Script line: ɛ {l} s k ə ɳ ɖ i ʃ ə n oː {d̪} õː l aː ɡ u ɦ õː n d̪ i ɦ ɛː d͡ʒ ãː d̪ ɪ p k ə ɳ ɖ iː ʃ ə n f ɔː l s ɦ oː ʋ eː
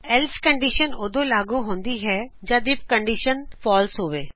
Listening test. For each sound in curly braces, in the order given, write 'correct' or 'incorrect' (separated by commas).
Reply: correct, correct